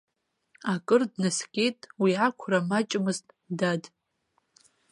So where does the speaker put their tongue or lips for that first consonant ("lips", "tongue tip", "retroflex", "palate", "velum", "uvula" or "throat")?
velum